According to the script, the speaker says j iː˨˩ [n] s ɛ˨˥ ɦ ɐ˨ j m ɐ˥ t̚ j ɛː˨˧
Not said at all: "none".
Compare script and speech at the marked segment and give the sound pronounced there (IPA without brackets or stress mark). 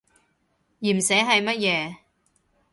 m